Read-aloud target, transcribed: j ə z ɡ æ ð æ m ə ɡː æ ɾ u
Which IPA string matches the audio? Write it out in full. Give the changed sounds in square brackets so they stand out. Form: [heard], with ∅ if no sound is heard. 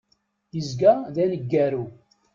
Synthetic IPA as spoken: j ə z ɡ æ ð æ [n] ə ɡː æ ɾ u